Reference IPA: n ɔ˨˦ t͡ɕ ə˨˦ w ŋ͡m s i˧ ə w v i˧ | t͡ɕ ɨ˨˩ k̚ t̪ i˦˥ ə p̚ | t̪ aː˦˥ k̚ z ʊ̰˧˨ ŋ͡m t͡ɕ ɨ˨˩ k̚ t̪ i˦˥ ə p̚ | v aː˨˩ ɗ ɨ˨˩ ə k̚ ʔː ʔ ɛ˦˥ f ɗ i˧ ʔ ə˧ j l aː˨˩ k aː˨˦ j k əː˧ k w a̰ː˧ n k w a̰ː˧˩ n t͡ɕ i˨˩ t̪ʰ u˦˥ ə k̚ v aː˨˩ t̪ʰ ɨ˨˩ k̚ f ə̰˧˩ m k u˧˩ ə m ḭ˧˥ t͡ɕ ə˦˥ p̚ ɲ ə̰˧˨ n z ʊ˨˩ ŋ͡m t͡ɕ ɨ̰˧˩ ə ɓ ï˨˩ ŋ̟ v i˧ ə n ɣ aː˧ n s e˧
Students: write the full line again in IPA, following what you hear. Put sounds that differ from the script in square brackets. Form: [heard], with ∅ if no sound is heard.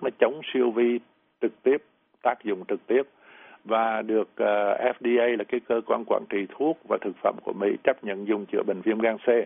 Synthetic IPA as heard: n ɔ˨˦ t͡ɕ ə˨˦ w ŋ͡m s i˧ ə w v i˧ | t͡ɕ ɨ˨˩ k̚ t̪ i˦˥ ə p̚ | t̪ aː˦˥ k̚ z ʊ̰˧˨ ŋ͡m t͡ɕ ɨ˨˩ k̚ t̪ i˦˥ ə p̚ | v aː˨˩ ɗ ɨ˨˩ ə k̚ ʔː ʔ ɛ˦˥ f ɗ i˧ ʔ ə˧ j l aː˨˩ k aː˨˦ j k əː˧ k w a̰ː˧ n k w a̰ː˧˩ n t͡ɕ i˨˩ t̪ʰ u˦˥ ə k̚ v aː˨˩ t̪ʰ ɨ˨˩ k̚ f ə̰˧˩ m k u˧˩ ə m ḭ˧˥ t͡ɕ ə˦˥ p̚ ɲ ə̰˧˨ n z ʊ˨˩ ŋ͡m t͡ɕ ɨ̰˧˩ ə ɓ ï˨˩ ŋ̟ v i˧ ə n ɣ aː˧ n s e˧